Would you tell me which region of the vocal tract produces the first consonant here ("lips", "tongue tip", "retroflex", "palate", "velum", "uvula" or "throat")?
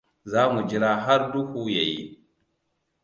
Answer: tongue tip